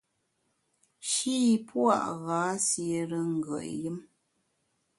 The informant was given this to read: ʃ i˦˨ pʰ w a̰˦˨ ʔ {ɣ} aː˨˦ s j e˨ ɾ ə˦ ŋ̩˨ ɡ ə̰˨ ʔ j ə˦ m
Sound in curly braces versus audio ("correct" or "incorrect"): correct